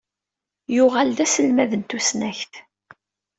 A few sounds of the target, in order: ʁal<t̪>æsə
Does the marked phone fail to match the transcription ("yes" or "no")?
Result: yes